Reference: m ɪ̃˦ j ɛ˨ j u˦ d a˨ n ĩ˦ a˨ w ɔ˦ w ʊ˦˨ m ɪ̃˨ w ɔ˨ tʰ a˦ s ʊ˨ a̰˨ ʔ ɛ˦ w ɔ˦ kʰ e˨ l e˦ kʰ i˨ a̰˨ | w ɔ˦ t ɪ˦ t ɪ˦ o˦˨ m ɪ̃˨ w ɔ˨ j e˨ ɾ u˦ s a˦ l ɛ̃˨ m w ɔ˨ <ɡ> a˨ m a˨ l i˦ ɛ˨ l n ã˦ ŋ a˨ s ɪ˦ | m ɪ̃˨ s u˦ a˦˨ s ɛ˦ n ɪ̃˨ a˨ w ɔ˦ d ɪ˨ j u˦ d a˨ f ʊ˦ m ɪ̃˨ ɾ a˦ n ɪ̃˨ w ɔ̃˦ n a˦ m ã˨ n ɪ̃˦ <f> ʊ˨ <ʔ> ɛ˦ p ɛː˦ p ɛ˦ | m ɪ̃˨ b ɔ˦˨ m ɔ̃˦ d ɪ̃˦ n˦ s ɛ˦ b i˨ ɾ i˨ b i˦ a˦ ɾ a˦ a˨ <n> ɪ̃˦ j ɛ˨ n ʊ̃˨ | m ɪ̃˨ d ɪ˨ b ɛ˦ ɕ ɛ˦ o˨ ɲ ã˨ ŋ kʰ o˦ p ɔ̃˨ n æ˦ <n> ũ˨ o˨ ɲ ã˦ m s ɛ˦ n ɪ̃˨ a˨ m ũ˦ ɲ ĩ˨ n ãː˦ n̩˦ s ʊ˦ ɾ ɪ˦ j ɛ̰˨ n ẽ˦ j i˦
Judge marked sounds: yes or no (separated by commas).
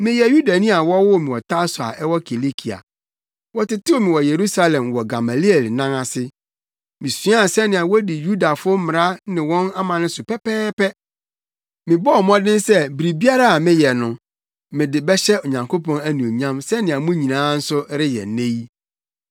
yes, no, no, no, yes